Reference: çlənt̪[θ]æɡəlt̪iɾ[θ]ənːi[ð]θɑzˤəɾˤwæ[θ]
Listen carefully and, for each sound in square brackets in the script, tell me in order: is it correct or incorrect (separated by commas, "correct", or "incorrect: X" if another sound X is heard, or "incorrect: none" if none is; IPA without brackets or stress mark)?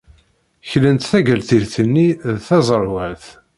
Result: correct, correct, correct, correct